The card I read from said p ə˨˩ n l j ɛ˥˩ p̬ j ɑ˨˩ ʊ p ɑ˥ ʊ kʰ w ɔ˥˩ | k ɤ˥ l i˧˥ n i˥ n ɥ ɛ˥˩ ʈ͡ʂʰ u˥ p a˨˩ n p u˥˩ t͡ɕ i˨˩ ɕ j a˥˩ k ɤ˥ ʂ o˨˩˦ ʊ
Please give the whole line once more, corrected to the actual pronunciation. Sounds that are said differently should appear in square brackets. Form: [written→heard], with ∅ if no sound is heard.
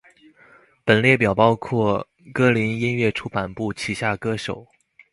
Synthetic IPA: p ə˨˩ n l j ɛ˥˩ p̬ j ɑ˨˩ ʊ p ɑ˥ ʊ kʰ w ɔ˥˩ | k ɤ˥ l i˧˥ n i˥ n ɥ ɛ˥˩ ʈ͡ʂʰ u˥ p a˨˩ n p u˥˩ [t͡ɕ→t͡ɕʰ] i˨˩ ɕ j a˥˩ k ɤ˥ ʂ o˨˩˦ ʊ